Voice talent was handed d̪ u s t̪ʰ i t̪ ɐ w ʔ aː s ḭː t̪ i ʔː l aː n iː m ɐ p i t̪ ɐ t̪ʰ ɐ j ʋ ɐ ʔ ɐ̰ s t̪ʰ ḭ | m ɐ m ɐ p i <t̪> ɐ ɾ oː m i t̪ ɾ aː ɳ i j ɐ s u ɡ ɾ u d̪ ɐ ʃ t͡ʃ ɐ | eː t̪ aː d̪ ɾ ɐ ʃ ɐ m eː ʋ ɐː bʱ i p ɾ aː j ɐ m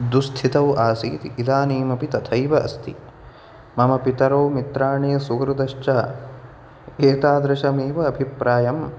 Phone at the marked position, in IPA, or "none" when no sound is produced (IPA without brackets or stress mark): t̪